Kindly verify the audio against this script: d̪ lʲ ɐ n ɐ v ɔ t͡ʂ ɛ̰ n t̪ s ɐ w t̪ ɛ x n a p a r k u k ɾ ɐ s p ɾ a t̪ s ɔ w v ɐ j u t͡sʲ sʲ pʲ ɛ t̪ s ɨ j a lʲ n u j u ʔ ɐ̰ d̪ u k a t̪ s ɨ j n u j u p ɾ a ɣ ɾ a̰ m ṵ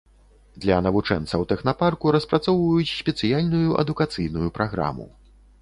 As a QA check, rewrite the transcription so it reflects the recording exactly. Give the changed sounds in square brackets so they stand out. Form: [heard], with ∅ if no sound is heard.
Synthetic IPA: d̪ lʲ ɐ n ɐ v [u] t͡ʂ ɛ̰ n t̪ s ɐ w t̪ ɛ x n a p a r k u [∅] ɾ ɐ s p ɾ a t̪ s ɔ w v ɐ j u t͡sʲ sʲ pʲ ɛ t̪ s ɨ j a lʲ n u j u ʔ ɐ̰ d̪ u k a t̪ s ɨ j n u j u p ɾ a ɣ ɾ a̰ m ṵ